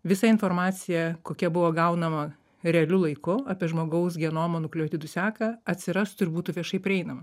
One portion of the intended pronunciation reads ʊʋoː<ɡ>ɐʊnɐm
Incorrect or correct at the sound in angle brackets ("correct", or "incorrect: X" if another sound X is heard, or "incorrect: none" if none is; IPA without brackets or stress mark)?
correct